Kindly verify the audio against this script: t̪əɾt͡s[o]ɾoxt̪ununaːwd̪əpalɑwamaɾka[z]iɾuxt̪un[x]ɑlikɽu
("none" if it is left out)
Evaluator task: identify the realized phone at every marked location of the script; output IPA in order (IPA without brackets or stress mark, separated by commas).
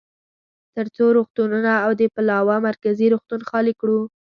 o, z, x